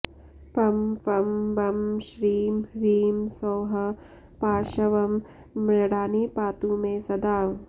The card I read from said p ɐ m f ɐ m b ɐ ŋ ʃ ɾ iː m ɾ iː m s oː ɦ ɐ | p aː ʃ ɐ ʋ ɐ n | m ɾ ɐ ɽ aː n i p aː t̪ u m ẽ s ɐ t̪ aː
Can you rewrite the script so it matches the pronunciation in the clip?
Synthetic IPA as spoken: p ɐ m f ɐ m b ɐ m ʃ ɾ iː m ɾ iː m s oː ɦ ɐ | p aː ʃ ɐ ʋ ɐ m | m ɾ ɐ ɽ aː n i p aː t̪ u m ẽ s ɐ d̪ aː